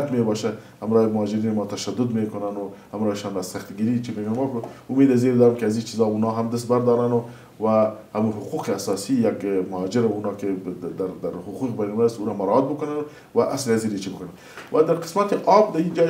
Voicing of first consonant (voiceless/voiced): voiceless